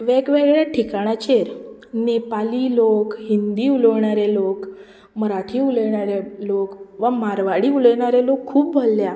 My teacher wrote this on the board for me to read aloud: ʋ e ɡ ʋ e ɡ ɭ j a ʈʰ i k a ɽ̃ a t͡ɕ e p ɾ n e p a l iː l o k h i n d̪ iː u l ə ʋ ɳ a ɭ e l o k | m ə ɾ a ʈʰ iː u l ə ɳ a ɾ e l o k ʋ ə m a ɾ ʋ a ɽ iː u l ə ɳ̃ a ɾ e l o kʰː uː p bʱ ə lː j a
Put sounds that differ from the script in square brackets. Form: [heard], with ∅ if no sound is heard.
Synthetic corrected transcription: ʋ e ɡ ʋ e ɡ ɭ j a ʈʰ i k a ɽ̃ a t͡ɕ e [∅] ɾ n e p a l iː l o k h i n d̪ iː u l ə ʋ ɳ a [ɾ] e l o k | m ə ɾ a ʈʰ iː u l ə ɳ a ɾ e l o k ʋ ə m a ɾ ʋ a ɽ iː u l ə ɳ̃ a ɾ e l o kʰː uː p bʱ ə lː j a